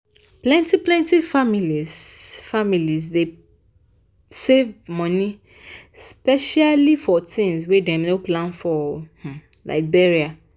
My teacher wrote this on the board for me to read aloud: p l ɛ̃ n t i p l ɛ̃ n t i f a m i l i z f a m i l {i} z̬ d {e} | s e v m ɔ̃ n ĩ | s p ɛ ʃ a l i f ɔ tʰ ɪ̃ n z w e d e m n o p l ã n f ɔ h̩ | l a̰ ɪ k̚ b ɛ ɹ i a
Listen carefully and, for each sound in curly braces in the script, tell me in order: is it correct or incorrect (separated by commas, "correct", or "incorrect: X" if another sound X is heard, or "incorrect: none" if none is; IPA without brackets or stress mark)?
correct, correct